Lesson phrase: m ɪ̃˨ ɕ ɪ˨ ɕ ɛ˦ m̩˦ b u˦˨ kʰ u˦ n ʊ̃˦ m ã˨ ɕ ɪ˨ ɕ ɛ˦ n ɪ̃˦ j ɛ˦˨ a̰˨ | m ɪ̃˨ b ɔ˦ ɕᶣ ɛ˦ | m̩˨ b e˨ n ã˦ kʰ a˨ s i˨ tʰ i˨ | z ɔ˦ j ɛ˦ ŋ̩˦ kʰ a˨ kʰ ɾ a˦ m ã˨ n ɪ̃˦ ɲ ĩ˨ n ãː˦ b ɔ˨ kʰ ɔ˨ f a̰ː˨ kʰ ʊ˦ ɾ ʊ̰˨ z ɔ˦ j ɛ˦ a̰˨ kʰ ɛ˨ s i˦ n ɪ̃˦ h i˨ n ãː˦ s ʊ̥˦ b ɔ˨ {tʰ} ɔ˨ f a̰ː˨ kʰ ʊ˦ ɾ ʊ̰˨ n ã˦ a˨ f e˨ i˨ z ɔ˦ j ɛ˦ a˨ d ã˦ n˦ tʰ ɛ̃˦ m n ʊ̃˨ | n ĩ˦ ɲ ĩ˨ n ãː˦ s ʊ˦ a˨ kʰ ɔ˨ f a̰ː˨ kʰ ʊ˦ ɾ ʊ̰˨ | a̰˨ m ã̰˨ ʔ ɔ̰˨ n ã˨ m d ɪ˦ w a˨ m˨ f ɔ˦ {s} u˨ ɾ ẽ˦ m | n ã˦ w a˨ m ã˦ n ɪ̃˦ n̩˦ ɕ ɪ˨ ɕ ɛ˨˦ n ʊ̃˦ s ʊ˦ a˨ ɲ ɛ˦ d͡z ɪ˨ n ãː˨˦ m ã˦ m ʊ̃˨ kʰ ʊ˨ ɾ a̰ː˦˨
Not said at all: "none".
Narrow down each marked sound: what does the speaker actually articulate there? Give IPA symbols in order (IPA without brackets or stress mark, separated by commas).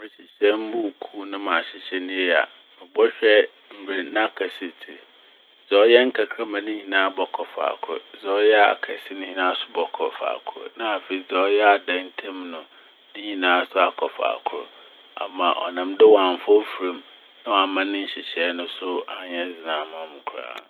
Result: kʰ, f